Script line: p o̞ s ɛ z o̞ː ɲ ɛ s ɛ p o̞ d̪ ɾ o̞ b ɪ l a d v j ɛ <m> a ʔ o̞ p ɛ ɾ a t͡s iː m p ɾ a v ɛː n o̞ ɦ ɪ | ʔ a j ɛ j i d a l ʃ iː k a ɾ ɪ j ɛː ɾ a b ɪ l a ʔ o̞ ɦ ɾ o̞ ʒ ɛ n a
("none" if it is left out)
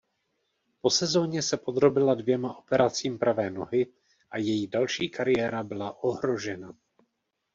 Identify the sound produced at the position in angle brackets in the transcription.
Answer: m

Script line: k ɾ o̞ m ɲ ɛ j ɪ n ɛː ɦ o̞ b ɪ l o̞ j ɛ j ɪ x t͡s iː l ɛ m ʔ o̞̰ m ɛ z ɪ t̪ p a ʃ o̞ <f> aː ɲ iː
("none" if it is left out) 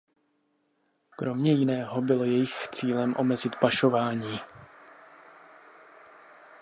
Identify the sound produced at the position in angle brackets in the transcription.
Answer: v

